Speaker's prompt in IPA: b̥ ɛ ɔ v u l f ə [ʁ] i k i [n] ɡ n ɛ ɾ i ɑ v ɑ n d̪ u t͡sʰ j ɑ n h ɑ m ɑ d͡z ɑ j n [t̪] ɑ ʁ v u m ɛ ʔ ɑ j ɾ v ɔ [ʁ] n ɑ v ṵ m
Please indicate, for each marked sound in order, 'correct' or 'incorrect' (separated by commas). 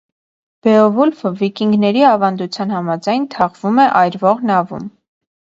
incorrect, incorrect, incorrect, correct